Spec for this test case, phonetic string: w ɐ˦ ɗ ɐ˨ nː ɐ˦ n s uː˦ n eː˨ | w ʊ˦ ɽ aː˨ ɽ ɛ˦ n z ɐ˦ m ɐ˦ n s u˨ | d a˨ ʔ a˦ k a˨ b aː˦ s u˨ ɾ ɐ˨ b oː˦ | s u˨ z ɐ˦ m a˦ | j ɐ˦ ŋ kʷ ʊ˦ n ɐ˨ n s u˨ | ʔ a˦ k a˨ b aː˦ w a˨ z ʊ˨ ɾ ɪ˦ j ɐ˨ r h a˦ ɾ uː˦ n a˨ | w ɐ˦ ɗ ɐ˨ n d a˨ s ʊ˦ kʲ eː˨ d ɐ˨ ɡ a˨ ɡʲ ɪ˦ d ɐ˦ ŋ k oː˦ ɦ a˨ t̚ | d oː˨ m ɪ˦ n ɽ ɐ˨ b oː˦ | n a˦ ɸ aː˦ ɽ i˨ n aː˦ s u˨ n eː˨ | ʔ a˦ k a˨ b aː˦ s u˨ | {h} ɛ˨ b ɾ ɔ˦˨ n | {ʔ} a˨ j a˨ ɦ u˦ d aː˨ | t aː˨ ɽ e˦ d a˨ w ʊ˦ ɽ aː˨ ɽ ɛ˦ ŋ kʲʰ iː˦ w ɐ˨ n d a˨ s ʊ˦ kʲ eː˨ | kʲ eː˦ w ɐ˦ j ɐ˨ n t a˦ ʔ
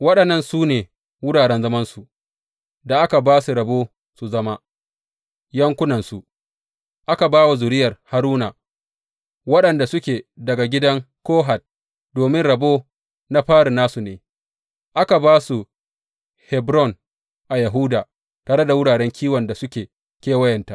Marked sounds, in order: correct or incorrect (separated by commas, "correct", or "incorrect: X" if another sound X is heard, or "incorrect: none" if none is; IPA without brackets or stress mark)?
correct, correct